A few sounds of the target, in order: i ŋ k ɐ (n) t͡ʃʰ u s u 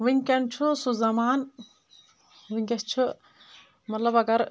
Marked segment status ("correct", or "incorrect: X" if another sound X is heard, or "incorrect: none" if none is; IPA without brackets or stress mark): correct